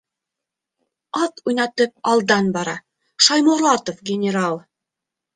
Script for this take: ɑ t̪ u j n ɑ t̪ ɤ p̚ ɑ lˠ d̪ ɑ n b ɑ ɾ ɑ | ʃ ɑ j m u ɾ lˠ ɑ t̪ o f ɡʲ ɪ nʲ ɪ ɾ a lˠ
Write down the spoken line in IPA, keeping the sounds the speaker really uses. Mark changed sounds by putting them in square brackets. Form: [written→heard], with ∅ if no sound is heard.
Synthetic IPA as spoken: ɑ t̪ u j n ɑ t̪ ɤ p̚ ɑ lˠ d̪ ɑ n b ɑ ɾ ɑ | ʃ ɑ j m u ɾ lˠ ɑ t̪ o f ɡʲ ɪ nʲ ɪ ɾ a lˠ